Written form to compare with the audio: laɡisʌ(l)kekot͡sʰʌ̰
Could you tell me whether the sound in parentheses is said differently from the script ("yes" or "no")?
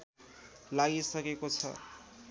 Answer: yes